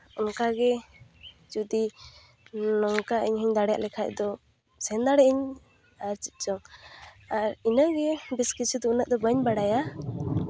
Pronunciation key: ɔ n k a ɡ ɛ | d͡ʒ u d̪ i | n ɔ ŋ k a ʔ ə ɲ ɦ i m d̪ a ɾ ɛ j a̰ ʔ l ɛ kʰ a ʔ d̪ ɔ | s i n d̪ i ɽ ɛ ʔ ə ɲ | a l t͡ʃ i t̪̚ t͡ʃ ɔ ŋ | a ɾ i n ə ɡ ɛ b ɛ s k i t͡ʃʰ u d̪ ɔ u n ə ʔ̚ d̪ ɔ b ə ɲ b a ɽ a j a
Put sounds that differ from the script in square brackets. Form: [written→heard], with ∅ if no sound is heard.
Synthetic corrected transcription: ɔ n k a ɡ ɛ | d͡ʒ u d̪ i | n ɔ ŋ k a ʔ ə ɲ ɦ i [m→ɲ] d̪ a [ɾ→ɽ] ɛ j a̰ ʔ l ɛ kʰ a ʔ d̪ ɔ | s [i→ɛ] n d̪ [i→a] ɽ ɛ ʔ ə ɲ | a [l→ɾ] t͡ʃ i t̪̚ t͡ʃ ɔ ŋ | a ɾ i n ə ɡ ɛ b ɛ s k i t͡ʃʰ u d̪ ɔ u n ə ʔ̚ d̪ ɔ b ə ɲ b a ɽ a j a